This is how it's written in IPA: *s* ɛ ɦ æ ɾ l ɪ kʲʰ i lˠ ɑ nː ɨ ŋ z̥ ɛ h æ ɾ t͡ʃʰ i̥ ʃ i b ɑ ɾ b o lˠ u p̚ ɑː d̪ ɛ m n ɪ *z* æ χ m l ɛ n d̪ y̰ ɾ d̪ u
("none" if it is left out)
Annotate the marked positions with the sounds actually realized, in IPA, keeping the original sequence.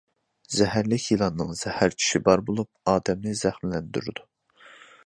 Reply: z, z

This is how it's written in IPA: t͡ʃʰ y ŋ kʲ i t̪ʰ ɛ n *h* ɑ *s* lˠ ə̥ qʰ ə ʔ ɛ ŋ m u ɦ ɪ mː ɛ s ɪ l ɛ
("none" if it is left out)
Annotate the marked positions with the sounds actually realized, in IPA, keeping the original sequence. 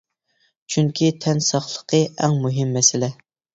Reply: s, χ

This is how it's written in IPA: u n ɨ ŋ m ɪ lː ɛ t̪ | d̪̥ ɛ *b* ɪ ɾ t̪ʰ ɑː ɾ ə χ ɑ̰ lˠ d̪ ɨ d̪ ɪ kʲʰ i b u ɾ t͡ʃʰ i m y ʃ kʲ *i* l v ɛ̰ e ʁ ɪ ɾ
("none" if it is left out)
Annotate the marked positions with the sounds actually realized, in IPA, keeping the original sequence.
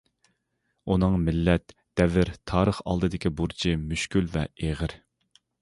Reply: v, y

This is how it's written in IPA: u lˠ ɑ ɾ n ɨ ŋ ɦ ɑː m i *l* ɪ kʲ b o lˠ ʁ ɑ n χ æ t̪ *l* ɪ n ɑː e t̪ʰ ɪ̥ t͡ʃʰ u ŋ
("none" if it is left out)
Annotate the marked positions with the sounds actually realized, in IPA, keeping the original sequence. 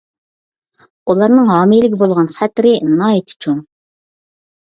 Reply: l, ɾ

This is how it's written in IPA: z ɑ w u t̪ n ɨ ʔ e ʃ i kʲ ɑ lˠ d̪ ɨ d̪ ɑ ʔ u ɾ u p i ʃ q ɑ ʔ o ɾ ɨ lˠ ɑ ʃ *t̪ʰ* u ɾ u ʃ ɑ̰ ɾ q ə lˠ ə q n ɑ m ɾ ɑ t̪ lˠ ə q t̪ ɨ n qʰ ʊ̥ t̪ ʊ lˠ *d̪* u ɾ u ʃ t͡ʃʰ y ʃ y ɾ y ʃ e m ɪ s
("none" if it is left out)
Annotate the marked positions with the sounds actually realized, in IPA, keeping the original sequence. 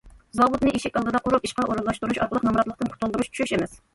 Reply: t̪, d̪

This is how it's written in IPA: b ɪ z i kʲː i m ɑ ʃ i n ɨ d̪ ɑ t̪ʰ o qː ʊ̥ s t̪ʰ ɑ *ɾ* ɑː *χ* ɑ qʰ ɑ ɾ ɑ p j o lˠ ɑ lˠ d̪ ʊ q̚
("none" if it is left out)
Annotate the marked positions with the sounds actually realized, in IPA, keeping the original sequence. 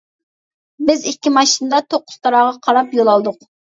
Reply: ɾ, ʁ

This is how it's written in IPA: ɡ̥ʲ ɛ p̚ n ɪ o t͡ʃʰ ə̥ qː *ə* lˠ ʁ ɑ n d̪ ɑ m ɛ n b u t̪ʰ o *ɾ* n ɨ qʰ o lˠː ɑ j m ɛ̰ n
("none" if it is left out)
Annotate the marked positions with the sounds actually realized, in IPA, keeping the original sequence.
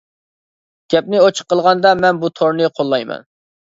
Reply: ə, ɾ

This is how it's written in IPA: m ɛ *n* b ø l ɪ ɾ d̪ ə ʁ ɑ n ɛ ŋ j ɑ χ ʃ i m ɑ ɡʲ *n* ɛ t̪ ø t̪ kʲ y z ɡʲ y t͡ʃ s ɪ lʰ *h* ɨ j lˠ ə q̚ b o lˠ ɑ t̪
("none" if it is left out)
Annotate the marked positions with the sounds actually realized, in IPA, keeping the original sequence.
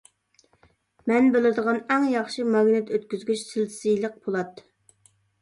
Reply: n, n, s

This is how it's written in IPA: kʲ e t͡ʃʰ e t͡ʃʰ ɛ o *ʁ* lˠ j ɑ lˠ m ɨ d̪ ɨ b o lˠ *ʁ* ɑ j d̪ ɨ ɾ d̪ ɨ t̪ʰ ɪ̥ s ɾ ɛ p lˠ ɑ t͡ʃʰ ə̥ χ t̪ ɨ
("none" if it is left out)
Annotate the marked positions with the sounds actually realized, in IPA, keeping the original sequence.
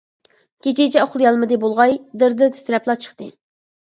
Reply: χ, ʁ

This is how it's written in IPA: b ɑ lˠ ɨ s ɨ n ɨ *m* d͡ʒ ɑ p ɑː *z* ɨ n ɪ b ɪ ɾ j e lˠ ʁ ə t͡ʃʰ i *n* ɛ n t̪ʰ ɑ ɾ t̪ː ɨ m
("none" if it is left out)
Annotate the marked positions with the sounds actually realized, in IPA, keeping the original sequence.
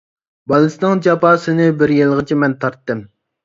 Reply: ŋ, s, m

